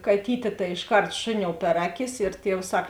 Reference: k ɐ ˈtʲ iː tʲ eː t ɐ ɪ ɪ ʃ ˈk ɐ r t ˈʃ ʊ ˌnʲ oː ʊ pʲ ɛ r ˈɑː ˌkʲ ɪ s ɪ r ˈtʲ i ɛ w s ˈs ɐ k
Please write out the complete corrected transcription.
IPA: k ɐ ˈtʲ iː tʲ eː t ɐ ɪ ɪ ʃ ˈk ɐ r t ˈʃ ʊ ˌnʲ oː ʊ pʲ ɛ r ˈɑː ˌkʲ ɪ s ɪ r ˈtʲ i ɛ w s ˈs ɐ k